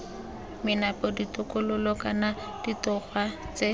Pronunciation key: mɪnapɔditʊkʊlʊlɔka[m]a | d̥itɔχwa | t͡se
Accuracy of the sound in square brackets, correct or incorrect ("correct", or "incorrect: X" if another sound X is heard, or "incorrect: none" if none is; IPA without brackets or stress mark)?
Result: incorrect: n